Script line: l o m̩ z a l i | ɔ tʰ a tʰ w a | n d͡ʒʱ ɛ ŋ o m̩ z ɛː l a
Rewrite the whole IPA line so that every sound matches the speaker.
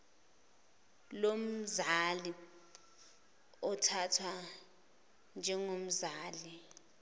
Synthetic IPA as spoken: l o m̩ z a l i | ɔ tʰ a tʰ w a | n d͡ʒʱ ɛ ŋ o m̩ z aː l i